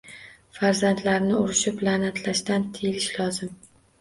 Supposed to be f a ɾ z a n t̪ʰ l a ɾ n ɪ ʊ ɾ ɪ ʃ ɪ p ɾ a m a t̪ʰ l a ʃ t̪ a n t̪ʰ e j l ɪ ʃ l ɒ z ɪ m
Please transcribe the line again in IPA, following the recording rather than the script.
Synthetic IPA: f a ɾ z a n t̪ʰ l a ɾ n ɪ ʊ ɾ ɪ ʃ ɪ p l a n a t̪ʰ l a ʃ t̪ a n t̪ʰ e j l ɪ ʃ l ɒ z ɪ m